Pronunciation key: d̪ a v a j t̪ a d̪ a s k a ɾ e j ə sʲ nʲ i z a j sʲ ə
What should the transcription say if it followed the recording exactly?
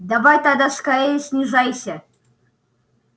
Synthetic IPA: d̪ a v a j t̪ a d̪ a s k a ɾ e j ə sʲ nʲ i ʐ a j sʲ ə

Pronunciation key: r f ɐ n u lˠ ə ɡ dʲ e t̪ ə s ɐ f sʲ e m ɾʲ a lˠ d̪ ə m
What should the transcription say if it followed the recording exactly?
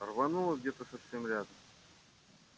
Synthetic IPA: r v ɐ n u lˠ ə ɡ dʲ e t̪ ə s ɐ f sʲ e m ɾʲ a d̪ ə m

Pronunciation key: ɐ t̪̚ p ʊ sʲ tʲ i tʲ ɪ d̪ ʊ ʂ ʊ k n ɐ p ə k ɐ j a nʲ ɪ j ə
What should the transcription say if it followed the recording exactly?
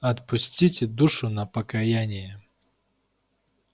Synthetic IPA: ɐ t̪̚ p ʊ sʲ tʲ i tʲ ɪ d̪ u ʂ ʊ n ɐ p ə k ɐ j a nʲ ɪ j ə

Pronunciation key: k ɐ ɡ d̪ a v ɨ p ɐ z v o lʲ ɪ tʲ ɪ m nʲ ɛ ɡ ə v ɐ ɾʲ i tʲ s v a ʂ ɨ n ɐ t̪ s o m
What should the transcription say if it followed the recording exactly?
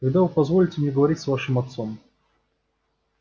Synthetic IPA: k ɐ ɡ d̪ a v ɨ p ɐ z v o lʲ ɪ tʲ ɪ m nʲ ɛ ɡ ə v ɐ ɾʲ i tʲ s v a ʂ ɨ m ɐ t̪ s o m

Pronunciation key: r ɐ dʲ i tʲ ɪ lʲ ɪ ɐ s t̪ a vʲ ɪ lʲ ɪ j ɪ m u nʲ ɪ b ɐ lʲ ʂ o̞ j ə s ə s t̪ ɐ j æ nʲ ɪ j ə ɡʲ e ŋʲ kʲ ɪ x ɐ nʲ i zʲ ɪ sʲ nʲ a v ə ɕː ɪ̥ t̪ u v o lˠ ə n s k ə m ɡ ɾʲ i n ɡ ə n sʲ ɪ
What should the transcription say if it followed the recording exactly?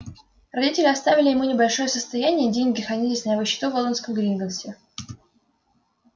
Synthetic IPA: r ɐ dʲ i tʲ ɪ lʲ ɪ ɐ s t̪ a vʲ ɪ lʲ ɪ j ɪ m u nʲ ɪ b ɐ lʲ ʂ o̞ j ə s ə s t̪ ɐ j æ nʲ ɪ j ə dʲ e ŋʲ ɡʲ ɪ x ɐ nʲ i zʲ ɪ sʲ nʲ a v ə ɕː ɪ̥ t̪ u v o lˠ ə n s k ə m ɡ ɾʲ i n ɡ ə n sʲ ɪ

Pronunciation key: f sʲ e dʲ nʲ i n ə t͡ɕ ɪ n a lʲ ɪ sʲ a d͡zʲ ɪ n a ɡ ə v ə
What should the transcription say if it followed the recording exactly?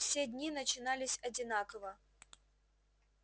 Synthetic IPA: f sʲ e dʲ nʲ i n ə t͡ɕ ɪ n a lʲ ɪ sʲ ɐ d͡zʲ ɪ n a k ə v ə

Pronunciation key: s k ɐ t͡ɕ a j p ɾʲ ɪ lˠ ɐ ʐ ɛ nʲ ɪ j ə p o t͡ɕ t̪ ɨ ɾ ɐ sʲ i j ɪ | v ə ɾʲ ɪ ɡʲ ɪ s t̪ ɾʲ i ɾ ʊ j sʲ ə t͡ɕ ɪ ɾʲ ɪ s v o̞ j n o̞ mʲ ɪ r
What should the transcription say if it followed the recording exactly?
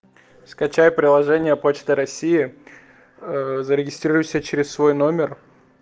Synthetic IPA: s k ɐ t͡ɕ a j p ɾʲ ɪ lˠ ɐ ʐ ɛ nʲ ɪ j ə p o t͡ɕ t̪ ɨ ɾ ɐ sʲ i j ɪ | z ə ɾʲ ɪ ɡʲ ɪ s t̪ ɾʲ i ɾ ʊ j sʲ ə t͡ɕ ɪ ɾʲ ɪ s v o̞ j n o̞ mʲ ɪ r

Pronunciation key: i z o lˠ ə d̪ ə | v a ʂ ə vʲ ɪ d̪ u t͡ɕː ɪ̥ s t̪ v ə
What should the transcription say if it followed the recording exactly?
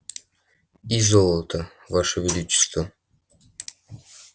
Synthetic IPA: i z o lˠ ə t̪ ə | v a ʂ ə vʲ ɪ d̪ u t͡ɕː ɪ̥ s t̪ v ə

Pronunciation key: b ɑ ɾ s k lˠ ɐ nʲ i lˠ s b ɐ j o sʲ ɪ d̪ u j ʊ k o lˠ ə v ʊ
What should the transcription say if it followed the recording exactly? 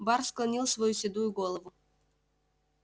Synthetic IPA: b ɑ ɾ s k lˠ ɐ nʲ i lˠ s v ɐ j u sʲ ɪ d̪ u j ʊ ɡ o lˠ ə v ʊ

